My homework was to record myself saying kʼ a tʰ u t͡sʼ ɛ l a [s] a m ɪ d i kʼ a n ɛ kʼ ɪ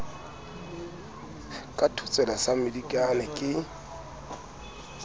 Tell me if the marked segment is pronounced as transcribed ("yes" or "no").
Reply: yes